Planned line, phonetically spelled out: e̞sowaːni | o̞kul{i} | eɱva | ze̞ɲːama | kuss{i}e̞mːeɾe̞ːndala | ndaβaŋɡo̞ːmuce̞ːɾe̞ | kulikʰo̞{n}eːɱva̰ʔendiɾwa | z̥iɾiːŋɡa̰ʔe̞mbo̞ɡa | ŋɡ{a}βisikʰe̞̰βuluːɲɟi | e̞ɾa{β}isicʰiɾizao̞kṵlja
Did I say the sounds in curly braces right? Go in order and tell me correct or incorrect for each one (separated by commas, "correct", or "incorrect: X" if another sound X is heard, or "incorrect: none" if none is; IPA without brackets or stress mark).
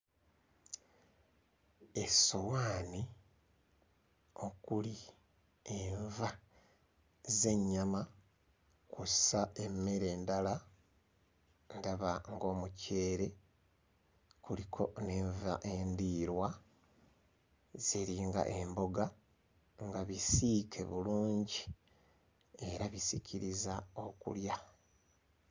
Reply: correct, incorrect: a, correct, correct, correct